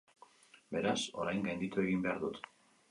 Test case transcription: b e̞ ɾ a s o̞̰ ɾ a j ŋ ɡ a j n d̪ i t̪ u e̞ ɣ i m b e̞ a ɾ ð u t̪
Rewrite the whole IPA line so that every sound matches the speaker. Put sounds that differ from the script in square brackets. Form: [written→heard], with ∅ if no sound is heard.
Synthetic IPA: b e̞ ɾ a s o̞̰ ɾ a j ŋ ɡ a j n d̪ i t̪ u e̞ ɣ i m b e̞ a ɾ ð u t̪